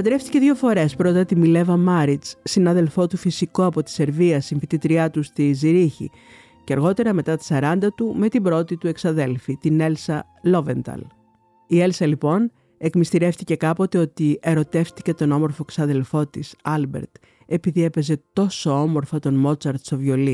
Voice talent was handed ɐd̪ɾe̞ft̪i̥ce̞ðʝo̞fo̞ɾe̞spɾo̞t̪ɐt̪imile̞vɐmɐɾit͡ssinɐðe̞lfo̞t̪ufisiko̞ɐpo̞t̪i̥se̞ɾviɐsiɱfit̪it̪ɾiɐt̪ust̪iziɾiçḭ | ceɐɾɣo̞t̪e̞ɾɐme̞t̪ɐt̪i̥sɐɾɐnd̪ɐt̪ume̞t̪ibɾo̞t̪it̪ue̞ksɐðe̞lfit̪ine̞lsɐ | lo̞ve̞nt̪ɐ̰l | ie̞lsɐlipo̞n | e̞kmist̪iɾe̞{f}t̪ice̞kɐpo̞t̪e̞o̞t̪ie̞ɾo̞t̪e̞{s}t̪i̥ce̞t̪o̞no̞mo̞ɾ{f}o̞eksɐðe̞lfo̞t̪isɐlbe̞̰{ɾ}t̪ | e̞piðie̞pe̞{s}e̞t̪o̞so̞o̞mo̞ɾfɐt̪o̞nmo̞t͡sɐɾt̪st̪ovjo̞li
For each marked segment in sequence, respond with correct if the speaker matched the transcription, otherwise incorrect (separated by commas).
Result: correct, incorrect, correct, correct, incorrect